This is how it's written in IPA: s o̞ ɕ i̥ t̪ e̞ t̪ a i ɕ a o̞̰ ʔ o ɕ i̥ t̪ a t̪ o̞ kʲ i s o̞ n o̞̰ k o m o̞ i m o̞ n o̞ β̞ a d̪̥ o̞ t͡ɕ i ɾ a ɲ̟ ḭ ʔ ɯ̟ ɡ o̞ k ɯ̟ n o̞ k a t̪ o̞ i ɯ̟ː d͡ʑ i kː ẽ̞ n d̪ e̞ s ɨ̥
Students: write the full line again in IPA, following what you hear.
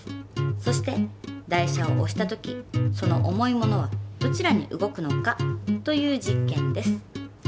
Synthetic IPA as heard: s o̞ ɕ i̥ t̪ e̞ d̪ a i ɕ a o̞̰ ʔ o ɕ i̥ t̪ a t̪ o̞ kʲ i s o̞ n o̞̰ ʔ o m o̞ i m o̞ n o̞ β̞ a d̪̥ o̞ t͡ɕ i ɾ a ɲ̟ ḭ ʔ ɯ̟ ɡ o̞ k ɯ̟ n o̞ k a t̪ o̞ j ɯ̟ː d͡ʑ i kː ẽ̞ n d̪ e̞ s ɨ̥